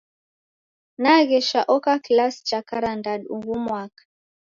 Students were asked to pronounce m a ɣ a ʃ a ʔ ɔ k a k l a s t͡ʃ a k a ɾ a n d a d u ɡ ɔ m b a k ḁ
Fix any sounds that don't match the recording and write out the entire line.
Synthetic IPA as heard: n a ɣ ɛ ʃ a ʔ ɔ k a k l a s t͡ʃ a k a ɾ a n d a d u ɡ u m w a k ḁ